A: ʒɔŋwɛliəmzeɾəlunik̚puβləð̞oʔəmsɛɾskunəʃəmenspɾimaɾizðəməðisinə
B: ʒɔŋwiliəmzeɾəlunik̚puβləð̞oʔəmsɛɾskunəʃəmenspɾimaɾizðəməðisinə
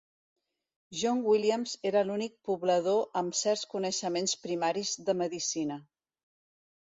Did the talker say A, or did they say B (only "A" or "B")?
B